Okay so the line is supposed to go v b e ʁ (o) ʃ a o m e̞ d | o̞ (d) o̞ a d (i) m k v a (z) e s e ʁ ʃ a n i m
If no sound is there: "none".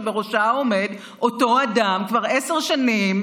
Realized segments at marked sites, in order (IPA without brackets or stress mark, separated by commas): o, t, a, ʁ